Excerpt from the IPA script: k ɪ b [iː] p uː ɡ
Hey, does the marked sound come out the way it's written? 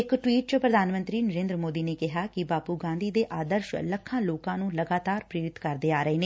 no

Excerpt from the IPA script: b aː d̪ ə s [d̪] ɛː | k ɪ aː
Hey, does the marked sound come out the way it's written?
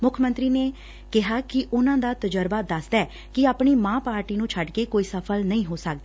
yes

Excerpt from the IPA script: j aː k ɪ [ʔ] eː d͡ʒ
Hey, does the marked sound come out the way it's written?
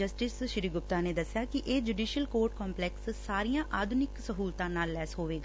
yes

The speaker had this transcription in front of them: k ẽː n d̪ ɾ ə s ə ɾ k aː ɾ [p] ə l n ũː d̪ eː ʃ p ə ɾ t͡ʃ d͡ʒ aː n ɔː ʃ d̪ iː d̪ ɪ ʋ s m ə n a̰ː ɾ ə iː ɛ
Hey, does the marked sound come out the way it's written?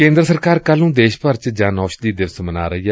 no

